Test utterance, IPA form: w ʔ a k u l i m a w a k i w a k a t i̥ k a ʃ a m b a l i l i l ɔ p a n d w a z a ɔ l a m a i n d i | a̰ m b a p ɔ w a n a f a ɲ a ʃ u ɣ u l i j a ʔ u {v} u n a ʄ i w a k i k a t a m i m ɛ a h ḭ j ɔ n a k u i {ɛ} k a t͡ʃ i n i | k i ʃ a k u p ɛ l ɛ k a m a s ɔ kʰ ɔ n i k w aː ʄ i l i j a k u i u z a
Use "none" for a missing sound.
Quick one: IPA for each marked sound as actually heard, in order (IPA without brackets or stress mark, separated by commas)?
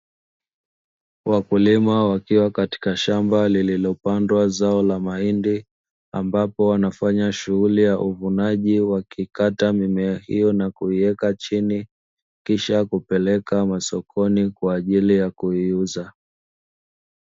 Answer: v, ɛ